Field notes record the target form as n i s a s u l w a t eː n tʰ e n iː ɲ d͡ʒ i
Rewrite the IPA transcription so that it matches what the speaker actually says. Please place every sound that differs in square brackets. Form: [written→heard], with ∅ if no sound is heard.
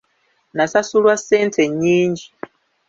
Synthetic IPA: n [i→a] s a s u l w a [t→s] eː n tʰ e [n→ɲ] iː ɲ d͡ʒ i